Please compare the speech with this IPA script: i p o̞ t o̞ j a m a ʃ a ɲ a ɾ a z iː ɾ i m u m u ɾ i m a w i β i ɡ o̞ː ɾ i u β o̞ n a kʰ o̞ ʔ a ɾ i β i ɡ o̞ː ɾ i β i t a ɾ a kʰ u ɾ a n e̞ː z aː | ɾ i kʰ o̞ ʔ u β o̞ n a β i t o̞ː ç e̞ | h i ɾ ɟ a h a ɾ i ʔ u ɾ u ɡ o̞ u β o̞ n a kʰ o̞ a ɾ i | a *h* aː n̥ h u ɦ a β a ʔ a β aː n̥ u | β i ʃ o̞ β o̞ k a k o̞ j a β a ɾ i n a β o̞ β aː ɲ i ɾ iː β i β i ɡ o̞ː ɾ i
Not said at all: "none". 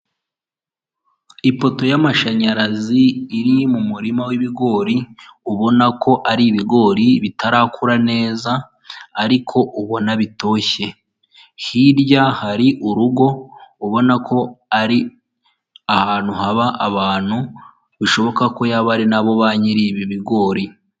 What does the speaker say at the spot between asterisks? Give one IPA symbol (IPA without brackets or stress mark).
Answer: h